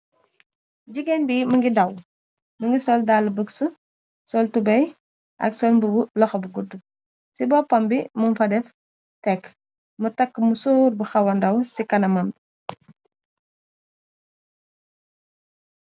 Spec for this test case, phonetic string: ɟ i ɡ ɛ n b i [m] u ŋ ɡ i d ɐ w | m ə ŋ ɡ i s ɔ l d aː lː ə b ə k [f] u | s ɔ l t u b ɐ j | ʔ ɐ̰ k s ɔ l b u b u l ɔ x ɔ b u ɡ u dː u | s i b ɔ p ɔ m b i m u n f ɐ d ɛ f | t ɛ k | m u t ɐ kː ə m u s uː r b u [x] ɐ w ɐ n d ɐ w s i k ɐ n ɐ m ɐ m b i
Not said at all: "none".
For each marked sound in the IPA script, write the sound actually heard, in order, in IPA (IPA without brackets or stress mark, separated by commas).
m, s, x